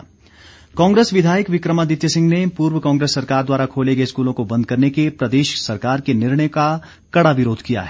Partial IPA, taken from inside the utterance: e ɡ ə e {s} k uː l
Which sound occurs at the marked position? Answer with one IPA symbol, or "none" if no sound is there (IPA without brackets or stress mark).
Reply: s